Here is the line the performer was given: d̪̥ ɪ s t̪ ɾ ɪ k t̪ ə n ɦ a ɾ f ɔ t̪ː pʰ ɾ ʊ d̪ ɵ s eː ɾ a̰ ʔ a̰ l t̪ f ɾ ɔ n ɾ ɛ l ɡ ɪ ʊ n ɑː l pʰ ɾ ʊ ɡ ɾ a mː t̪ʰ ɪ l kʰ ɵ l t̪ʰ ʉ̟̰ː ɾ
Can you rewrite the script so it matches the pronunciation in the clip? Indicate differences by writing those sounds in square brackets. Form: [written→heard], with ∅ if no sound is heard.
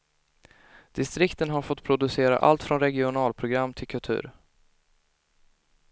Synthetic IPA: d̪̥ ɪ s t̪ ɾ ɪ k t̪ ə n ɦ a ɾ f ɔ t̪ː pʰ ɾ ʊ d̪ ɵ s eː ɾ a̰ ʔ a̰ l t̪ f ɾ ɔ n ɾ ɛ [l→∅] ɡ ɪ ʊ n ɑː l pʰ ɾ ʊ ɡ ɾ a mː t̪ʰ ɪ l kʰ ɵ l t̪ʰ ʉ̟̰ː ɾ